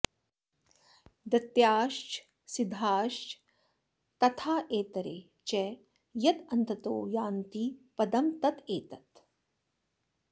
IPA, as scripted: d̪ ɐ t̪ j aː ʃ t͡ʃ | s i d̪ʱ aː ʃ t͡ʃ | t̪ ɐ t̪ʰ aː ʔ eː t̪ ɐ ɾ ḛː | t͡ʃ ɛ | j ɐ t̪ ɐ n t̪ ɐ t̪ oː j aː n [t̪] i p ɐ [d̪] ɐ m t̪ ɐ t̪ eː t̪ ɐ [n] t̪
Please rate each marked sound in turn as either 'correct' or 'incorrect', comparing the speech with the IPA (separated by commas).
correct, correct, incorrect